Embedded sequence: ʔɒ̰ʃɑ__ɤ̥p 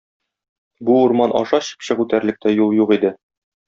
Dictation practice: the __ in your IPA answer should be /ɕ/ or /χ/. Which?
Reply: ɕ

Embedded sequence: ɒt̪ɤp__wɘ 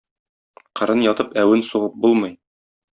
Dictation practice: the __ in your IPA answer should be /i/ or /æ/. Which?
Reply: æ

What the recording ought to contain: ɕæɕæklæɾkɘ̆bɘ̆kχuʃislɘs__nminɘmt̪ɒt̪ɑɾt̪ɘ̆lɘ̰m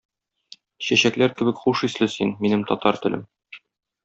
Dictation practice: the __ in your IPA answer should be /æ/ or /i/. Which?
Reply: i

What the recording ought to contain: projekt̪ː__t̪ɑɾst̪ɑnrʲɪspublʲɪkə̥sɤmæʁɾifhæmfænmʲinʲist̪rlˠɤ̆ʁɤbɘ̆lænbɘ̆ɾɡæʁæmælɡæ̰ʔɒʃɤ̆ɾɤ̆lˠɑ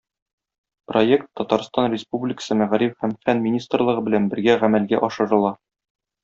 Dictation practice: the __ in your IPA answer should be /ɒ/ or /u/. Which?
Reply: ɒ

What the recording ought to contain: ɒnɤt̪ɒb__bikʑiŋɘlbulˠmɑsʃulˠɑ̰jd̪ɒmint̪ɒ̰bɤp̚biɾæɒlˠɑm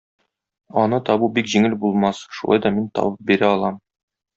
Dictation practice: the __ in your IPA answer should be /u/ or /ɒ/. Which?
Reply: u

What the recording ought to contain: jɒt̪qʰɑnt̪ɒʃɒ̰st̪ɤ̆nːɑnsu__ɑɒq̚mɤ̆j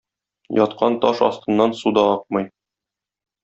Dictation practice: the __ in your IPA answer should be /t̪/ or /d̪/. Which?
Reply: d̪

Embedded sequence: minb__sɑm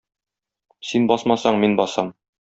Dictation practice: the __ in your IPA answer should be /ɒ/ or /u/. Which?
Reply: ɒ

